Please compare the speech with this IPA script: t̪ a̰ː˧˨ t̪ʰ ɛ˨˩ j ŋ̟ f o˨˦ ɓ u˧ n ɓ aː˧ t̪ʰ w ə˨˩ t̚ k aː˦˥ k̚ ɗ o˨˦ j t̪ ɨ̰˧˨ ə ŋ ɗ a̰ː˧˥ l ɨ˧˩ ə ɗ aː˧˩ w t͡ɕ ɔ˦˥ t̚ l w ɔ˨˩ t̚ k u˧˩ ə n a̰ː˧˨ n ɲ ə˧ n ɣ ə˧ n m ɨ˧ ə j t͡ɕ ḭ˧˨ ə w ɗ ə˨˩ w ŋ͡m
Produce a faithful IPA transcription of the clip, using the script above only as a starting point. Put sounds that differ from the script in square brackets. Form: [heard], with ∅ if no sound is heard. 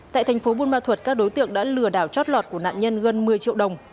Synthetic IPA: t̪ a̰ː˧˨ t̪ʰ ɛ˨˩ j ŋ̟ f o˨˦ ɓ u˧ n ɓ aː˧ t̪ʰ w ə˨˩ t̚ k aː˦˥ k̚ ɗ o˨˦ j t̪ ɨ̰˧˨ ə ŋ ɗ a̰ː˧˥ l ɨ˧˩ ə ɗ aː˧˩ w t͡ɕ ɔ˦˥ t̚ l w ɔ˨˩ t̚ k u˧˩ ə n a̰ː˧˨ n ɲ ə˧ n ɣ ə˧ n m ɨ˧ ə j t͡ɕ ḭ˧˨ ə w ɗ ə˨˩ w ŋ͡m